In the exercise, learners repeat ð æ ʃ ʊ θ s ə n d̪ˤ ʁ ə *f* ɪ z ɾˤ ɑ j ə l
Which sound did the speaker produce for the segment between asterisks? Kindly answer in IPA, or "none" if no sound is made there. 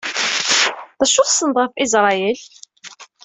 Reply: f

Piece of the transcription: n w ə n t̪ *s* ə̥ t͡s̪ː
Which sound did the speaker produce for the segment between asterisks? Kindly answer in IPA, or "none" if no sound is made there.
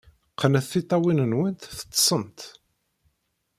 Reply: θ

